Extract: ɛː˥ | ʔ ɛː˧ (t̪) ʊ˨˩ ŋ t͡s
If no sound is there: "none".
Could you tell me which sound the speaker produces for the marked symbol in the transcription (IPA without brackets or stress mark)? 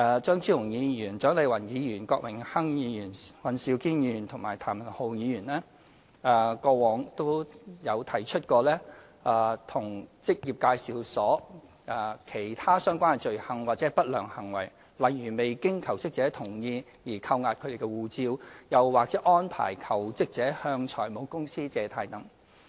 t̪ʰ